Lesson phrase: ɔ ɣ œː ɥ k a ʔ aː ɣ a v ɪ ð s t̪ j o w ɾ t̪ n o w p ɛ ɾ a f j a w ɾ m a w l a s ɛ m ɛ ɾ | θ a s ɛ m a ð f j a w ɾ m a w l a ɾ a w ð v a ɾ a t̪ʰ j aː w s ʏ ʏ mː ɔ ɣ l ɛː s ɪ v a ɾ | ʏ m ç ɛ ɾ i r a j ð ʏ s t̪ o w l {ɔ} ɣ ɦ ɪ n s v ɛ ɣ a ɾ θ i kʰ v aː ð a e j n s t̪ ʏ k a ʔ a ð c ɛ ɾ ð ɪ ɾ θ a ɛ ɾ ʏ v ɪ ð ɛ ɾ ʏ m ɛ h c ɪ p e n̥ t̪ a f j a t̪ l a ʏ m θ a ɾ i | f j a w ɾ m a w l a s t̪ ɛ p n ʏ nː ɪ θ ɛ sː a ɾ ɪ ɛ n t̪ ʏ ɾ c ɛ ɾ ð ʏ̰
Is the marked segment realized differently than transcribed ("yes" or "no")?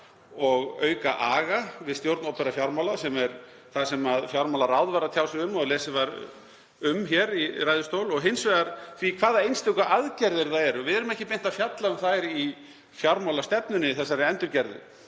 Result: no